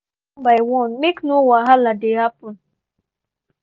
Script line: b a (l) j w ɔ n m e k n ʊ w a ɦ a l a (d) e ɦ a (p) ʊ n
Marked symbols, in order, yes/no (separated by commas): no, yes, yes